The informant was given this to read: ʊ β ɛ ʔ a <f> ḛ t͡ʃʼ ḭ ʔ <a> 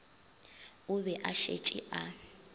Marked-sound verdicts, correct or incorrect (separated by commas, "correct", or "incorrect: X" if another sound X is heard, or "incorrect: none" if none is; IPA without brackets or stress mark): incorrect: ʃ, correct